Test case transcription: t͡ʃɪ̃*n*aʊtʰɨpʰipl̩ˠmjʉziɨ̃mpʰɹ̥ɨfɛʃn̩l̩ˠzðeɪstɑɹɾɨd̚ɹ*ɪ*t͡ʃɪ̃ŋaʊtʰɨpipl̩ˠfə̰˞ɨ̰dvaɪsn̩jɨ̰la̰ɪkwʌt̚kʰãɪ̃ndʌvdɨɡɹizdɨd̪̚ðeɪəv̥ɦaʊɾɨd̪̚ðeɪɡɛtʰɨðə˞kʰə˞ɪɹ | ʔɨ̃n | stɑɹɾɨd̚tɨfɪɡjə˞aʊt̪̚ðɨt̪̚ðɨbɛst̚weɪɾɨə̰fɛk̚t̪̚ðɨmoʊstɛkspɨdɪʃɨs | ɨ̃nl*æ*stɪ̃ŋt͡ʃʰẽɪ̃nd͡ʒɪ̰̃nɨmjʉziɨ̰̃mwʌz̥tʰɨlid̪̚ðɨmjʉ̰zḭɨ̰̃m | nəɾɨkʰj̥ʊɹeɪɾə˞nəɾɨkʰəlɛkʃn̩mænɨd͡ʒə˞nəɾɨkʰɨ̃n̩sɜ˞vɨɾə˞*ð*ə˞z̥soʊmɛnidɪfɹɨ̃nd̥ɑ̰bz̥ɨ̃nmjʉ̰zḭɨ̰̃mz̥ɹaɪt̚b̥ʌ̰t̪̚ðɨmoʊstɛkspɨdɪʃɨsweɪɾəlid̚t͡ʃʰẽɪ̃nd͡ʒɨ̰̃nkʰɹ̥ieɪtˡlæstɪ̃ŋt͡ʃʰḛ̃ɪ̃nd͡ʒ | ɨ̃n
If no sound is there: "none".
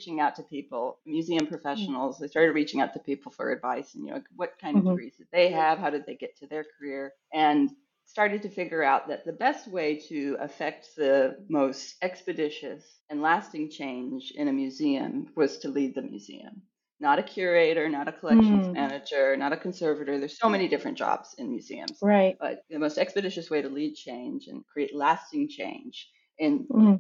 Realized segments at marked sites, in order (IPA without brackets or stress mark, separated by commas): ŋ, i, æ, ð